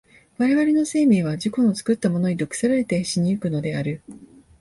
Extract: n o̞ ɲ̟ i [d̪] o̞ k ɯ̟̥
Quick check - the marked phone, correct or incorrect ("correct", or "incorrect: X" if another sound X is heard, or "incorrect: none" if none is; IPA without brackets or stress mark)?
correct